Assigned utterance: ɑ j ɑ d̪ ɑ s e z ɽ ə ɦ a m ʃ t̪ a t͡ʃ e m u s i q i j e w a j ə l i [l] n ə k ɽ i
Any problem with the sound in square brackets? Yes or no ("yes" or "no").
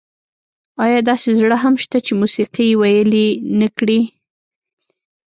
yes